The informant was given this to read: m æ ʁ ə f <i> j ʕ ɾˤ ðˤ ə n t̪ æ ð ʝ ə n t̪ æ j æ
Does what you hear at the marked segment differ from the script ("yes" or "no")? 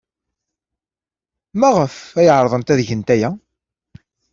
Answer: yes